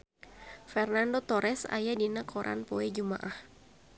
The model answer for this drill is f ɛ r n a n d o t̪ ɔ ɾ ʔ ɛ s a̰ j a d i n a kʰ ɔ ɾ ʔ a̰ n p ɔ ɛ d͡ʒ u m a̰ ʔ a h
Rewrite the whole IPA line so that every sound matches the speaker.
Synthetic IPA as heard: f ɛ r n a n d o t̪ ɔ ɾ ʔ ɛ s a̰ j a d i n a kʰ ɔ ɾ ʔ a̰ n p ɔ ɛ d͡ʒ u m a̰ ʔ a h